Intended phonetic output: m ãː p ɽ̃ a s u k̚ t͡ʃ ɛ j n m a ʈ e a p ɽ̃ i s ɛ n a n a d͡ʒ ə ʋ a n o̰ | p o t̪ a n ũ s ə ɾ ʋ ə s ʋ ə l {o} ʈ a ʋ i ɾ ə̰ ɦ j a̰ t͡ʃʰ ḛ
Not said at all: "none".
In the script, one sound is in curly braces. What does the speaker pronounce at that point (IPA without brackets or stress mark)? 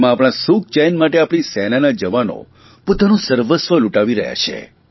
u